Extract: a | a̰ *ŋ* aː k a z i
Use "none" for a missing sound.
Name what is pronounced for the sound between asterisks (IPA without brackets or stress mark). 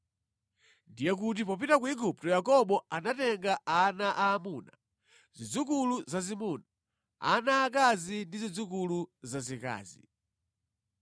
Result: n